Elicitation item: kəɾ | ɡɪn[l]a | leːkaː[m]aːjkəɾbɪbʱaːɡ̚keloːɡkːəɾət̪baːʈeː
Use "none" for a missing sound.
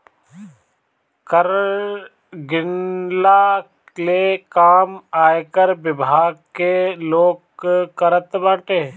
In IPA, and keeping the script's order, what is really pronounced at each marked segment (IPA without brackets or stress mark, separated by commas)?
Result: l, m